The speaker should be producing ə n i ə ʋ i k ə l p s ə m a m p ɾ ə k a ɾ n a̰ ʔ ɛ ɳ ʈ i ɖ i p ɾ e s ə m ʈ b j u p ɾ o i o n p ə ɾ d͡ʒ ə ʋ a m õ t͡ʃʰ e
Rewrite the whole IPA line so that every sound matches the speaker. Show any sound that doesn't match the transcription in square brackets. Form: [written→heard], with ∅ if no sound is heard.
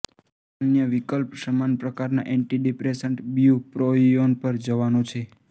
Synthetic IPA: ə n [i→j] ə ʋ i k ə l p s ə m a [m→n] p ɾ ə k a ɾ n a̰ ʔ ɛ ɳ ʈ i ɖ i p ɾ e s ə [m→ɳ] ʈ b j u p ɾ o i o n p ə ɾ d͡ʒ ə ʋ a [m→n] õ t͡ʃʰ e